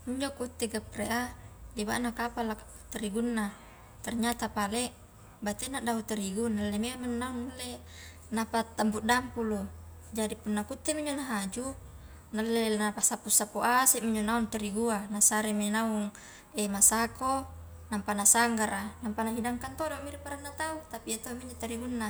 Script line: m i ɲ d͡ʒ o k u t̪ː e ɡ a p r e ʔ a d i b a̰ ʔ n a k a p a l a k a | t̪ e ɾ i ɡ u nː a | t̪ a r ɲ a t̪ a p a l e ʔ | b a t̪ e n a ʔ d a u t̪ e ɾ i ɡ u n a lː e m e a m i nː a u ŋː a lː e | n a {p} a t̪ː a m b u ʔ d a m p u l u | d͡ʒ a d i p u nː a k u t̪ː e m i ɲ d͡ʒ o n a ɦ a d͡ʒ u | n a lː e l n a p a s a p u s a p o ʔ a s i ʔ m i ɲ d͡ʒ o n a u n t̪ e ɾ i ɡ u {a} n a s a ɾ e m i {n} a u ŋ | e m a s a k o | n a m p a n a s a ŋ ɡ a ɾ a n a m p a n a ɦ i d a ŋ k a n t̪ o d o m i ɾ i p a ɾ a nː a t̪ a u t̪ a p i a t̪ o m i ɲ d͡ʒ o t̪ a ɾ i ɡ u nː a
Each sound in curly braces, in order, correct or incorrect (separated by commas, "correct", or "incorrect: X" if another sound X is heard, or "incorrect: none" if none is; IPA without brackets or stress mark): correct, correct, correct